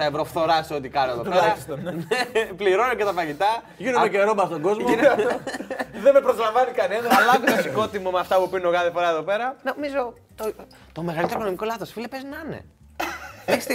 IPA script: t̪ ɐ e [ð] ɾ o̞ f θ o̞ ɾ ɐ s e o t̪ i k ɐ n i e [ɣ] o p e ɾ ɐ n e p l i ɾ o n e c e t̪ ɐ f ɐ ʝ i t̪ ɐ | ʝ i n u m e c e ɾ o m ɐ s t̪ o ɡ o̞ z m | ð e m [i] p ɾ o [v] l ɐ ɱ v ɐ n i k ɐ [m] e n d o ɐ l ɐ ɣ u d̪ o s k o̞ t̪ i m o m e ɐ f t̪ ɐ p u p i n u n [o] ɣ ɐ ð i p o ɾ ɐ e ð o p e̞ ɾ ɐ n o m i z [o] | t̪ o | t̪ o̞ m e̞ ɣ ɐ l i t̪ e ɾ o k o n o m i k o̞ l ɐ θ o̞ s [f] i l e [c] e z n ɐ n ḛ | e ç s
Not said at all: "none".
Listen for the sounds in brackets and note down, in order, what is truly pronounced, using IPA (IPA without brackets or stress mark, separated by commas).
v, ð, e, z, n, o, o, f, p